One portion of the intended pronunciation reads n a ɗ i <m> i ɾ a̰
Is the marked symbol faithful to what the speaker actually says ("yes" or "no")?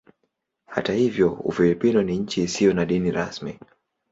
no